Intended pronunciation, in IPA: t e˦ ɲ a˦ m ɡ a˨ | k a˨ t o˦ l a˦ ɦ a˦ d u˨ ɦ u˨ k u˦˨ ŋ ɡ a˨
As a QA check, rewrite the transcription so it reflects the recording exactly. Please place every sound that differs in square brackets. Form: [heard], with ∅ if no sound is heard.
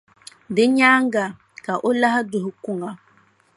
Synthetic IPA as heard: [d] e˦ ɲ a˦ [ŋ] ɡ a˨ | k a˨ [ʔ] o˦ l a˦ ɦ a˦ d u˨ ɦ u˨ k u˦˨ ŋ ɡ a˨